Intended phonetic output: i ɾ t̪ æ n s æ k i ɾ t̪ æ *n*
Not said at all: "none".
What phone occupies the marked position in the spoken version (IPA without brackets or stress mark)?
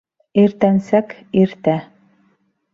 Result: none